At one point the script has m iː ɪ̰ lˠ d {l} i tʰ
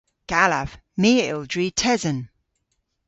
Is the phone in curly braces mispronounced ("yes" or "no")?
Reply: yes